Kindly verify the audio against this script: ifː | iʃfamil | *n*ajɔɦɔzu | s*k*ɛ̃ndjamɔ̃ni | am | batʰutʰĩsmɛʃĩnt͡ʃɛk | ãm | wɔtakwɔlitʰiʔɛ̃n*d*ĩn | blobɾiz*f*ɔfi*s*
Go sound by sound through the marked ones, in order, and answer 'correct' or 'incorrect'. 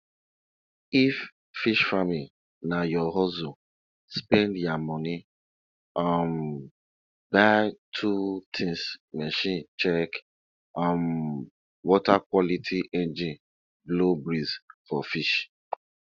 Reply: correct, incorrect: p, incorrect: d͡ʒ, correct, incorrect: ʃ

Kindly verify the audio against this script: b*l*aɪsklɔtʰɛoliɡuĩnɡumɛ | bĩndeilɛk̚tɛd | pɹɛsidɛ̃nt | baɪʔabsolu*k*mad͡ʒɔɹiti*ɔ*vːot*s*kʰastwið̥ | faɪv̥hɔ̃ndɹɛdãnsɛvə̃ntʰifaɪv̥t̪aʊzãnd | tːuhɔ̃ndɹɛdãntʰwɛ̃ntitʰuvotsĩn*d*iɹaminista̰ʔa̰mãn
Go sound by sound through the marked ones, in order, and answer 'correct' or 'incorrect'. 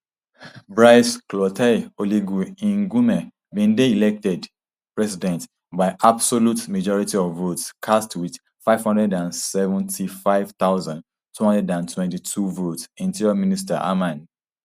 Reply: incorrect: ɹ, incorrect: t, correct, correct, incorrect: t

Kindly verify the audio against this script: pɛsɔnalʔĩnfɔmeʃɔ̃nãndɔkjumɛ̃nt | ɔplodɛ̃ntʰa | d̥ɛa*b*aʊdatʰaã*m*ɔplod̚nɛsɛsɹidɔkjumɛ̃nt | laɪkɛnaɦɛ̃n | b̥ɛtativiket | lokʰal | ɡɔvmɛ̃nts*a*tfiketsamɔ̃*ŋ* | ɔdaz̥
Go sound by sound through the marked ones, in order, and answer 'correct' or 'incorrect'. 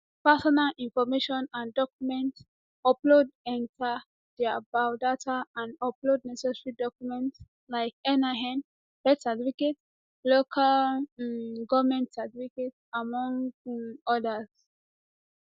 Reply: correct, incorrect: n, correct, correct

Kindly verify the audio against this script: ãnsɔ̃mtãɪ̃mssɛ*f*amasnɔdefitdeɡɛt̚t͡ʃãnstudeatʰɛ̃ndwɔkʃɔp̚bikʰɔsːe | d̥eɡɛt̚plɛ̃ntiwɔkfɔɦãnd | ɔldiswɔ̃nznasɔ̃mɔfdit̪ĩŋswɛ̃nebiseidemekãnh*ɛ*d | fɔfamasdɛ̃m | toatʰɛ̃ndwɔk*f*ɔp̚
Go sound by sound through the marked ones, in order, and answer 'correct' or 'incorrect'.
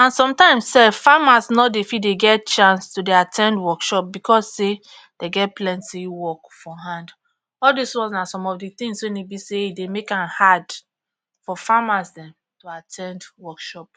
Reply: correct, incorrect: a, incorrect: ʃ

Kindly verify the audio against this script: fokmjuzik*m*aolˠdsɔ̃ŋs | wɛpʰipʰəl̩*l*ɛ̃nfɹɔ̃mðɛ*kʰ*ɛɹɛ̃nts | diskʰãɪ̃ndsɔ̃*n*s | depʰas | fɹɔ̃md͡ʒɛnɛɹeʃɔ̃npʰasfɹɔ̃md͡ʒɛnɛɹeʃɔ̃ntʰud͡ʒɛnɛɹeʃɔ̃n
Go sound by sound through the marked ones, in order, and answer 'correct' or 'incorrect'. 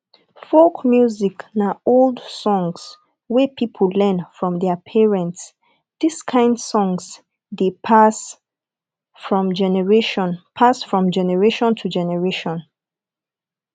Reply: incorrect: n, correct, incorrect: pʰ, incorrect: ŋ

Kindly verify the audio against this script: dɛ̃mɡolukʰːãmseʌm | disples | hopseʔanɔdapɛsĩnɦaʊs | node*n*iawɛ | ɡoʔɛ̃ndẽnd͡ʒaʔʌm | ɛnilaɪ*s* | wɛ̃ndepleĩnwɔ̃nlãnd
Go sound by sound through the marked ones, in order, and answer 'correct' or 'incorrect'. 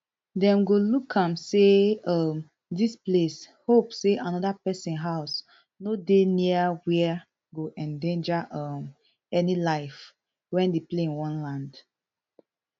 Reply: correct, incorrect: f

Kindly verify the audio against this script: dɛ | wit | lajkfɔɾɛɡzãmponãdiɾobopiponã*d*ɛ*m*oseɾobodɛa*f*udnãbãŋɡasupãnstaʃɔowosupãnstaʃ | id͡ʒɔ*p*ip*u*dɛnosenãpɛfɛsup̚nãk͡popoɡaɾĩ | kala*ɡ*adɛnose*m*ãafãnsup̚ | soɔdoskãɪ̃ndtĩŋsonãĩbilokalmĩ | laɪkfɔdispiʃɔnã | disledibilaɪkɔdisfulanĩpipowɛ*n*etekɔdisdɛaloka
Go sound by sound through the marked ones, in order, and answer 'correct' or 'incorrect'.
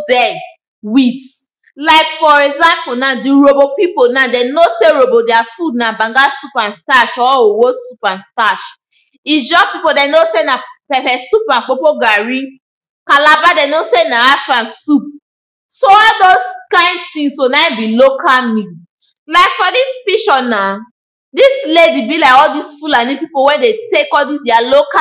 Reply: correct, incorrect: n, correct, correct, incorrect: o, incorrect: b, incorrect: n, incorrect: d

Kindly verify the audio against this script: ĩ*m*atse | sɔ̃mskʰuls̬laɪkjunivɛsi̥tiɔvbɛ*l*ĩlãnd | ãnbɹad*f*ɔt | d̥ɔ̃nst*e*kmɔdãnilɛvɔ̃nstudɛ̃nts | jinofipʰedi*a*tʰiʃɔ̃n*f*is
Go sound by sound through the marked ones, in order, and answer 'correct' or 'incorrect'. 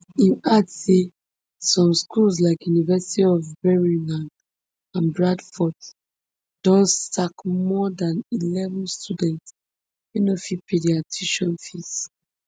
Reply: incorrect: n, incorrect: ɹ, correct, incorrect: a, correct, correct

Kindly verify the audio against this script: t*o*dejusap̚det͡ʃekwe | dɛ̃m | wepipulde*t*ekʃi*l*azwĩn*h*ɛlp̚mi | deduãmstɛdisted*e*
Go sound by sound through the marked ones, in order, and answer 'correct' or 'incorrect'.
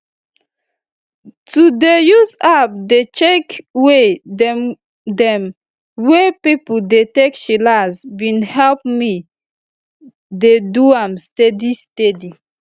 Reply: incorrect: u, correct, correct, correct, incorrect: i

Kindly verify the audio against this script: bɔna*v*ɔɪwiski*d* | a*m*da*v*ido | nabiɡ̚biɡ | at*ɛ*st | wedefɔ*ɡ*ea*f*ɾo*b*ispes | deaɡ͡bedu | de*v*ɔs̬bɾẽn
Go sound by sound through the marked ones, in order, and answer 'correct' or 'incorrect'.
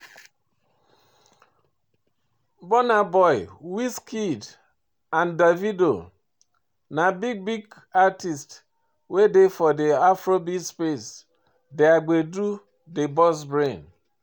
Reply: incorrect: b, correct, incorrect: n, correct, incorrect: i, incorrect: d, correct, correct, incorrect: b

